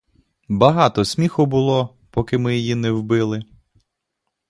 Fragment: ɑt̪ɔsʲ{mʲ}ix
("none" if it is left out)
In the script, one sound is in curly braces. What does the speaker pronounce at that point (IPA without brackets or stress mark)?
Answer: mʲ